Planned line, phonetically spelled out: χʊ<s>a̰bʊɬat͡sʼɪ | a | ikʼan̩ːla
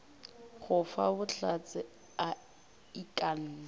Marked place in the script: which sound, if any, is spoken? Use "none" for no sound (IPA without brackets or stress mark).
f